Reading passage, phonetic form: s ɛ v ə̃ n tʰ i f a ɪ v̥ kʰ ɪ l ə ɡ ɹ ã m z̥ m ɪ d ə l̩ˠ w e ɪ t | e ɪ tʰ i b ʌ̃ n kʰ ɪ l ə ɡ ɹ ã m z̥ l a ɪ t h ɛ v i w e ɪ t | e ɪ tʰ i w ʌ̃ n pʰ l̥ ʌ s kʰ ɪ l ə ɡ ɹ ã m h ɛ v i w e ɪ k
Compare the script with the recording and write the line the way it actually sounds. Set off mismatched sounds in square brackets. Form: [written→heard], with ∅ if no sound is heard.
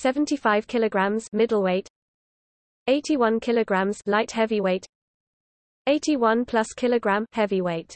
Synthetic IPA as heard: s ɛ v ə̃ n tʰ i f a ɪ v̥ kʰ ɪ l ə ɡ ɹ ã m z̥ m ɪ d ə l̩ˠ w e ɪ t | e ɪ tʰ i [b→w] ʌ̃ n kʰ ɪ l ə ɡ ɹ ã m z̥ l a ɪ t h ɛ v i w e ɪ t | e ɪ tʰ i w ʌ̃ n pʰ l̥ ʌ s kʰ ɪ l ə ɡ ɹ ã m h ɛ v i w e ɪ [k→t]